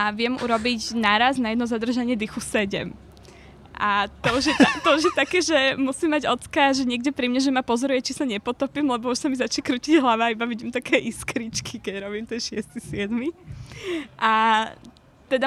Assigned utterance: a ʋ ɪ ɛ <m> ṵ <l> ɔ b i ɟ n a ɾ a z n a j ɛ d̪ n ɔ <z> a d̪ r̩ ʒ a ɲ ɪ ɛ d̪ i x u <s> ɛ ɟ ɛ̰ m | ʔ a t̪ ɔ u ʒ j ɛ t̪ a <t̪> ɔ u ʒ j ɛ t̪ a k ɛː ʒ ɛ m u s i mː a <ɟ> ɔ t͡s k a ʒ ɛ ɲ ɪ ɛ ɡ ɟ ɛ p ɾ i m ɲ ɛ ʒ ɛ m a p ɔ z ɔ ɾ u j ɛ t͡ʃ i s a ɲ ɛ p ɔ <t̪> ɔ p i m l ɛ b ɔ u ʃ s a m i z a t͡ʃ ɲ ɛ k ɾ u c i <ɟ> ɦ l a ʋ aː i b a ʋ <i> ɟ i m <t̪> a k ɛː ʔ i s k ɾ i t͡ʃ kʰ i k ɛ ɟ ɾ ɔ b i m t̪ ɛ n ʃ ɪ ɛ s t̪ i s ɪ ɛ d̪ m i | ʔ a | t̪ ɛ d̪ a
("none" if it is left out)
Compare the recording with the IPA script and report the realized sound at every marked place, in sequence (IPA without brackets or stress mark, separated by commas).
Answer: m, ɾ, z, s, t̪, ɟ, t̪, ɟ, i, t̪